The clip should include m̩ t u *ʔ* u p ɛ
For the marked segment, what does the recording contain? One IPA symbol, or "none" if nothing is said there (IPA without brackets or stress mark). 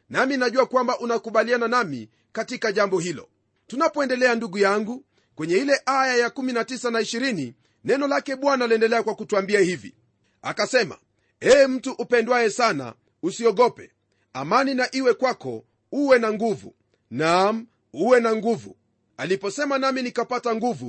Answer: ʔ